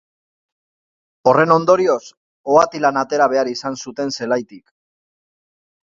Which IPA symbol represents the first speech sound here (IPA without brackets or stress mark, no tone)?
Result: o̞